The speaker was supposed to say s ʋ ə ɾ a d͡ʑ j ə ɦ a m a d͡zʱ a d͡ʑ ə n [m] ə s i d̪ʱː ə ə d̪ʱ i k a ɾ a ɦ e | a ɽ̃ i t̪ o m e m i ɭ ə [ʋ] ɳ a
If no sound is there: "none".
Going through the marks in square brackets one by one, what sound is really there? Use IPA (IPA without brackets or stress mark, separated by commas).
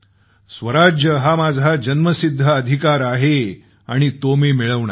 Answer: m, ʋ